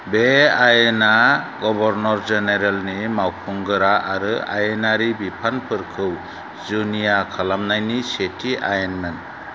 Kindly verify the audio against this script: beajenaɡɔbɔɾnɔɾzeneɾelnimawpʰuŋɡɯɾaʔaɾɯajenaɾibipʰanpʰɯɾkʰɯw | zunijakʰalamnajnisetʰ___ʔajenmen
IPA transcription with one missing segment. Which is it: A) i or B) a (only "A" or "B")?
A